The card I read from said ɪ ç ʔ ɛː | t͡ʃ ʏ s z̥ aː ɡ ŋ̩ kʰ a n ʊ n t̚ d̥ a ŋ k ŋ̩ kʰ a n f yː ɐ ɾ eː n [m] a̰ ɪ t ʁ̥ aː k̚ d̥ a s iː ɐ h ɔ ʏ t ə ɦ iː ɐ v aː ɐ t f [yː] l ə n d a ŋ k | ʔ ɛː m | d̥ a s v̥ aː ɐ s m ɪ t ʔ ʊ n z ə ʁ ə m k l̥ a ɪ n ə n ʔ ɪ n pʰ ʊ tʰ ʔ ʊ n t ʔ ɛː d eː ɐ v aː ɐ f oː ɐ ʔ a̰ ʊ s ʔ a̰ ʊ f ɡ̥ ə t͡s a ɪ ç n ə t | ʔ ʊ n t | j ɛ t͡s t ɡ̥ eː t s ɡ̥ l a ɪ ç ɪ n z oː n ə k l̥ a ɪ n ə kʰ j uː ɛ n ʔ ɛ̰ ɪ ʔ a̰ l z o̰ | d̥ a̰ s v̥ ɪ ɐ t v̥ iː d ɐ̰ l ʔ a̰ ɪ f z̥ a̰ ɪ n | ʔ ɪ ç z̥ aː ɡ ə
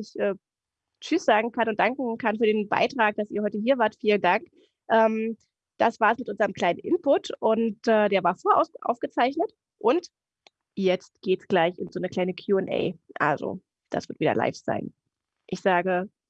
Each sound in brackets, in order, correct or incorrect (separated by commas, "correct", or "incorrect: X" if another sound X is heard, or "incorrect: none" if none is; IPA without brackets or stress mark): incorrect: b, incorrect: iː